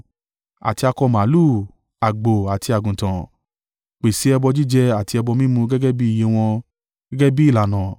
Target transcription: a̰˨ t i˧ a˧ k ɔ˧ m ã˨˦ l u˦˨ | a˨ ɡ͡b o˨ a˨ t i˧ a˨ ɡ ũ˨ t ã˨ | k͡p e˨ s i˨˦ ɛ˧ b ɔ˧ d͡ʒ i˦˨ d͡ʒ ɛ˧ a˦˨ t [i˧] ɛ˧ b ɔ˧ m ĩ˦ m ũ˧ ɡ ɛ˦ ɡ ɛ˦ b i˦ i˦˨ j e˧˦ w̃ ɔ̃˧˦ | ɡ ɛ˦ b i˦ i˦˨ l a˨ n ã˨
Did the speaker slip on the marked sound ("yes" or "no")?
no